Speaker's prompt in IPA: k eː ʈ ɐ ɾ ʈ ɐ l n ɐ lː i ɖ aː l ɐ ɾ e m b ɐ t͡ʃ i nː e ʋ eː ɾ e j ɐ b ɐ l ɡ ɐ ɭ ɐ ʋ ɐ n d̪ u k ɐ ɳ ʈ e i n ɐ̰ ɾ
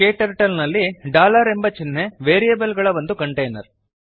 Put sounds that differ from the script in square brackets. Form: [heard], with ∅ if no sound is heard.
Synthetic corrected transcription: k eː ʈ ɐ ɾ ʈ ɐ l n ɐ lː i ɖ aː l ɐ ɾ e m b ɐ t͡ʃ i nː e ʋ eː ɾ [i] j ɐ b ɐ l ɡ ɐ ɭ ɐ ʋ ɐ n d̪ u k ɐ ɳ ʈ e [j] n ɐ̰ ɾ

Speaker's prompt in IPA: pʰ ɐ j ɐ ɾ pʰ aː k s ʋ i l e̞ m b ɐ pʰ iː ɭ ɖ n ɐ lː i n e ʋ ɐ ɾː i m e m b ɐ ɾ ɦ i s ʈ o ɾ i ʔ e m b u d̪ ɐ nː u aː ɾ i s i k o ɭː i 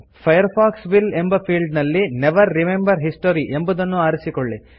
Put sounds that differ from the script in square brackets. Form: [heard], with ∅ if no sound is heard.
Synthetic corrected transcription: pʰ ɐ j ɐ ɾ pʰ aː k s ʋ i l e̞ m b ɐ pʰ iː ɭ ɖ n ɐ lː i n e ʋ ɐ ɾː i m e m b ɐ ɾ ɦ i s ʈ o ɾ i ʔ e m b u d̪ ɐ nː u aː ɾ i s i k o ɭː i

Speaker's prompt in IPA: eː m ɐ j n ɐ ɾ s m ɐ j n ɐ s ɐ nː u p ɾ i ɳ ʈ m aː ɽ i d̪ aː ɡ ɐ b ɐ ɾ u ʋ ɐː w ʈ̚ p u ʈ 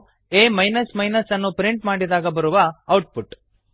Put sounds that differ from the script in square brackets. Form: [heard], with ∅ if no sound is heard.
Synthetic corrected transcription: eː m ɐ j n ɐ [∅] s m ɐ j n ɐ s ɐ nː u p ɾ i ɳ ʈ m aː ɽ i d̪ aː ɡ ɐ b ɐ ɾ u ʋ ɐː w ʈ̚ p u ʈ

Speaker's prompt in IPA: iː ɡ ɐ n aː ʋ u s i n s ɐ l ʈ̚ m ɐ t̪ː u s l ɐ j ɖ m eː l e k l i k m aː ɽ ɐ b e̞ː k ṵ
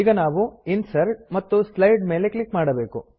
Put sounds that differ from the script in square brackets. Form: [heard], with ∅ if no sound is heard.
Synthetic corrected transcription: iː ɡ ɐ n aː ʋ u [∅] i n s ɐ [ɾ] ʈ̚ m ɐ t̪ː u s l ɐ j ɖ m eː l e k l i k m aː ɽ ɐ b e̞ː k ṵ

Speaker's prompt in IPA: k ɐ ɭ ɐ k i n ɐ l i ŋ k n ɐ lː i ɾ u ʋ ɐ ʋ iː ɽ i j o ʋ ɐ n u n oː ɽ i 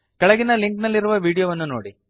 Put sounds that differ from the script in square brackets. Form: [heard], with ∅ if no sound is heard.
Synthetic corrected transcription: k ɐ ɭ ɐ [ɡ] i n ɐ l i ŋ k n ɐ lː i ɾ u ʋ ɐ ʋ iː ɽ i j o ʋ ɐ [nː] u n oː ɽ i

